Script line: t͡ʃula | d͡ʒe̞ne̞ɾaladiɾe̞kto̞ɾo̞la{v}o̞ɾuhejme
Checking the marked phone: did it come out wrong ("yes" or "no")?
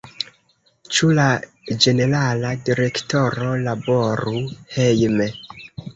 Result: yes